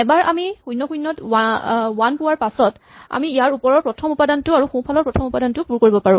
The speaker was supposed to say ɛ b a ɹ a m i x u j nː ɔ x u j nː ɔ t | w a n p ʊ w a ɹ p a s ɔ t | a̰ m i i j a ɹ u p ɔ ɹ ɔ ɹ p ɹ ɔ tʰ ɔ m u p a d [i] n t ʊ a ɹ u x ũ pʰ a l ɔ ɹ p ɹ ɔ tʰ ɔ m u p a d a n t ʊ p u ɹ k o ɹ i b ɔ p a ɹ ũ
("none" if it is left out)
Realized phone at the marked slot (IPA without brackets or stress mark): a